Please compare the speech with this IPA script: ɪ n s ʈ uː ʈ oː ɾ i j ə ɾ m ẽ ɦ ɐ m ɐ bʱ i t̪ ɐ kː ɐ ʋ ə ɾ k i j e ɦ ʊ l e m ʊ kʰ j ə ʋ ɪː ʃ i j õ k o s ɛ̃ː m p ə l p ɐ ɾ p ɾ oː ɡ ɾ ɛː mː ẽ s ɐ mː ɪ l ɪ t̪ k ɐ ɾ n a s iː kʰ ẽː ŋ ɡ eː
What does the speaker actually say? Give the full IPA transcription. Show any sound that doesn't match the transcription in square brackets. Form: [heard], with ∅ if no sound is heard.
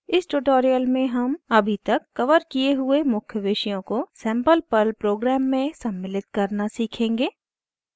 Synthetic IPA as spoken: ɪ [∅] s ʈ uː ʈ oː ɾ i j ə [l] m ẽ ɦ ɐ m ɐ bʱ i t̪ ɐ kː ɐ ʋ ə ɾ k i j e ɦ ʊ [∅] e m ʊ kʰ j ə ʋ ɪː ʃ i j õ k o s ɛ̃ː m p ə l p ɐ [l] p ɾ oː ɡ ɾ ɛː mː ẽ s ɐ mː ɪ l ɪ t̪ k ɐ ɾ n a s iː kʰ ẽː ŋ ɡ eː